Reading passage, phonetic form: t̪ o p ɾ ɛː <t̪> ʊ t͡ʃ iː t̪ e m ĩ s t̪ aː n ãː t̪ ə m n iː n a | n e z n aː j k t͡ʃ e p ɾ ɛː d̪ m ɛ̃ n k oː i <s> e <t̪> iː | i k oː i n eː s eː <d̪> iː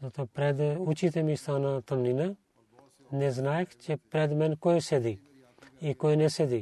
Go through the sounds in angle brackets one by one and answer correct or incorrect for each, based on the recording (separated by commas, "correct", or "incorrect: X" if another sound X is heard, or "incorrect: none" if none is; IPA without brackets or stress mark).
incorrect: d̪, correct, incorrect: d̪, correct